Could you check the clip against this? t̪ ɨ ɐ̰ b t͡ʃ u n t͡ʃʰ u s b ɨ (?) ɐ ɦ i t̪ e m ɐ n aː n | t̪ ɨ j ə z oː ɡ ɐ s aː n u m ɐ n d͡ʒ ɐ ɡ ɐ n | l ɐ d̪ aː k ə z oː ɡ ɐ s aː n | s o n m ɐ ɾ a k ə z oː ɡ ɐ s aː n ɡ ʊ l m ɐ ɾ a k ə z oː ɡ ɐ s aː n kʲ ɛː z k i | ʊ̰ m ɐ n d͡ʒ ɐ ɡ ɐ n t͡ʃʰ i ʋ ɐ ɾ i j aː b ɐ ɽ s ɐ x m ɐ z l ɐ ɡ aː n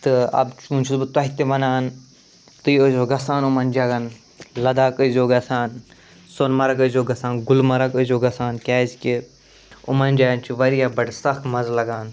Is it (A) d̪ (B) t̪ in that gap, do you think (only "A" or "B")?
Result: B